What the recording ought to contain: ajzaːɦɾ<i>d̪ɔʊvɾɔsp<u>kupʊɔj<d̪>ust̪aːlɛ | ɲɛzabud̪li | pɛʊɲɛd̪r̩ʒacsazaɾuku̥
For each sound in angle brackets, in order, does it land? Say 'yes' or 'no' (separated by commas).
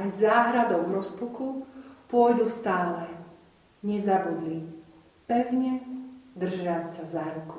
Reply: no, yes, yes